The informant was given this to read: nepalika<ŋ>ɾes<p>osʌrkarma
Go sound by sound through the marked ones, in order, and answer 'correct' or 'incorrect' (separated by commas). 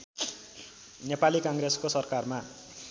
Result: correct, incorrect